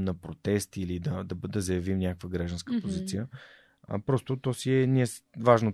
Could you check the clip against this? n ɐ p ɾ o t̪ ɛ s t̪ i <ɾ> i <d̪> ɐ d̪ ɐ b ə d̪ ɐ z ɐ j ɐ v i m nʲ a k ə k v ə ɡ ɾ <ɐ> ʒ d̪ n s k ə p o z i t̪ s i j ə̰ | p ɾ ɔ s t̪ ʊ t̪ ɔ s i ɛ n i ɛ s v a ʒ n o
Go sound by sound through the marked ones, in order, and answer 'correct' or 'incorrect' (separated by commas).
incorrect, correct, incorrect